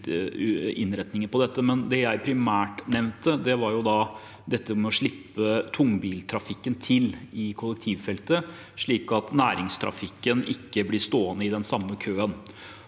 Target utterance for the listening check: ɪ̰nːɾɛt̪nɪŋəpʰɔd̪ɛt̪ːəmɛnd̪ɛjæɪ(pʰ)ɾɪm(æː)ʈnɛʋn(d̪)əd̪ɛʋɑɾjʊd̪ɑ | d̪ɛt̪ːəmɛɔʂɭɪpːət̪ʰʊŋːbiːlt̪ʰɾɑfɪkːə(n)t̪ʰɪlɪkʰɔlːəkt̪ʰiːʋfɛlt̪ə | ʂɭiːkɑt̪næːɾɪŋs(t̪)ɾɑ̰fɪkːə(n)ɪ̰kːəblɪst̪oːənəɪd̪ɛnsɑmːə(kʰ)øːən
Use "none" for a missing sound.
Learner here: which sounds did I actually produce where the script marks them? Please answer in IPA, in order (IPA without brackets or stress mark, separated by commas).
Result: pʰ, æː, t̪, n, t̪ʰ, n, kʰ